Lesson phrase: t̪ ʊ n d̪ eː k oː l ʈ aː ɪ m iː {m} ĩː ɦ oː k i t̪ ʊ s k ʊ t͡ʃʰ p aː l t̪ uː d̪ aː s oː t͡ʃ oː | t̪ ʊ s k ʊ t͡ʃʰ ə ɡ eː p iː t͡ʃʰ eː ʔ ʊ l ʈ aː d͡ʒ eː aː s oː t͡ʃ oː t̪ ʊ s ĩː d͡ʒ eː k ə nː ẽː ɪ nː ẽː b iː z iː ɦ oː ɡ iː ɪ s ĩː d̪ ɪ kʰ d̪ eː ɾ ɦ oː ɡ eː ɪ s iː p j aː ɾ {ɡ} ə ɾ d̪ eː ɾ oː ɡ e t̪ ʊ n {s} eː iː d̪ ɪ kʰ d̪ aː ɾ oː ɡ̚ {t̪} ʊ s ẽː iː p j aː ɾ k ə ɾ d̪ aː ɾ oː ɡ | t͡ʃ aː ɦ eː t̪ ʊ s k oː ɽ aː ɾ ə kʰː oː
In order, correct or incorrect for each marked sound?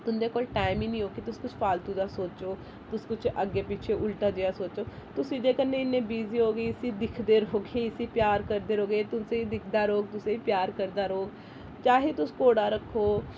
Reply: incorrect: n, incorrect: k, correct, correct

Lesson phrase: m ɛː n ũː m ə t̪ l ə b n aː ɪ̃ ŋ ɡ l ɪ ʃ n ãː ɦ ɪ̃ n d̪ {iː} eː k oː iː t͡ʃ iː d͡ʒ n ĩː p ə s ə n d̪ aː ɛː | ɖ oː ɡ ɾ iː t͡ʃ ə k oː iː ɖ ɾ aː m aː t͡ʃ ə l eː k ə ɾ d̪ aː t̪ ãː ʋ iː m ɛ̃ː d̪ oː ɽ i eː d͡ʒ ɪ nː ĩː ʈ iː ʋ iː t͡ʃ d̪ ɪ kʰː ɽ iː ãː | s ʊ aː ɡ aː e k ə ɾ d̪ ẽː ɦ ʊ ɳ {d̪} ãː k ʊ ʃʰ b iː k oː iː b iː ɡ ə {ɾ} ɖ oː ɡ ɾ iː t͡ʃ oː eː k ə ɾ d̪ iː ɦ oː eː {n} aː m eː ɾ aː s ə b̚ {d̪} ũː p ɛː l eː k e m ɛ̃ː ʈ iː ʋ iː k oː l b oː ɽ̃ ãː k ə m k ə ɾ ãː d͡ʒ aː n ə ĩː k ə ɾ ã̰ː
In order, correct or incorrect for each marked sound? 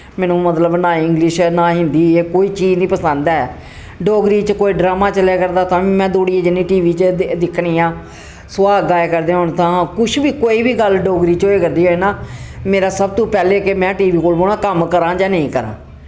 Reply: correct, incorrect: t̪, incorrect: l, correct, incorrect: t̪

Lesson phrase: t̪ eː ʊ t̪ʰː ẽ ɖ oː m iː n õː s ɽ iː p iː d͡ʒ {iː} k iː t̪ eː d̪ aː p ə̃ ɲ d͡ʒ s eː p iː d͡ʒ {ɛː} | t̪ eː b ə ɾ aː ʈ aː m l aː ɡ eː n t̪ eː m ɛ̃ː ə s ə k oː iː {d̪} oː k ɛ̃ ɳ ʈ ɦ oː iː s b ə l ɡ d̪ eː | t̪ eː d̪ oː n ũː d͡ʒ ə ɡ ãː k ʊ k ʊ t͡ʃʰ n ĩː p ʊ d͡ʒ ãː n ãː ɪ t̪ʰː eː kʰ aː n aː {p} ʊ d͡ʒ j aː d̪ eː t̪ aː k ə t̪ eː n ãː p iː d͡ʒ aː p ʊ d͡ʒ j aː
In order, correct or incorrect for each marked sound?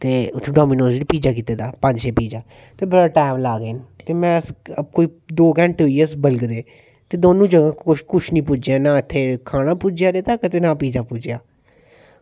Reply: incorrect: aː, incorrect: aː, correct, correct

